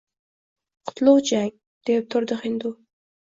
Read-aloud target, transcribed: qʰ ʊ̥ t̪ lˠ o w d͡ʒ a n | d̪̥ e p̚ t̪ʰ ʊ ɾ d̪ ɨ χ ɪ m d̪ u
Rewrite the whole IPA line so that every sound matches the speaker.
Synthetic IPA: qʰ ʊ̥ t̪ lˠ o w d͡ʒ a ŋ | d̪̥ e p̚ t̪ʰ ʊ ɾ d̪ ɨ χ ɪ n d̪ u